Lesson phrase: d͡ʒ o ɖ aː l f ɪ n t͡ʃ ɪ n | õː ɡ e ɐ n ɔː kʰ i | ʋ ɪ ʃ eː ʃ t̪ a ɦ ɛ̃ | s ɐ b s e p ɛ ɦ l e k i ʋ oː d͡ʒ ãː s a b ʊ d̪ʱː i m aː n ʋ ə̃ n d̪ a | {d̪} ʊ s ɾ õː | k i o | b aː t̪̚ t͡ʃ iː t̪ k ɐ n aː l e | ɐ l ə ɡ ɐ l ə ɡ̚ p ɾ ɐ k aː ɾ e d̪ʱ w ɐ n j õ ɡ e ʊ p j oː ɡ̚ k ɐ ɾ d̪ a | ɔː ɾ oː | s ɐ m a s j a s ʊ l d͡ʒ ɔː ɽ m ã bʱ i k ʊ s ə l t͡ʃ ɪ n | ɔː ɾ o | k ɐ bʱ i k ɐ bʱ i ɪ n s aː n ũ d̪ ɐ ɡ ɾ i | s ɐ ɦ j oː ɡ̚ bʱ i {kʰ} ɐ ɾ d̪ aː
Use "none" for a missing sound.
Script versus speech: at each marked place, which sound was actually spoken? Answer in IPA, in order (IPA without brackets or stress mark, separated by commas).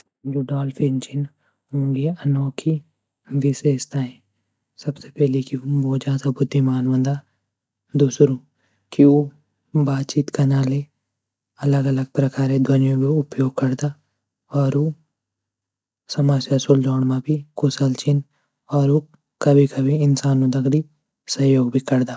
d̪, k